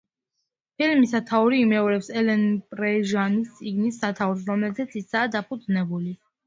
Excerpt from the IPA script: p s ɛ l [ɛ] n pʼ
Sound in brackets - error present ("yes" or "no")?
no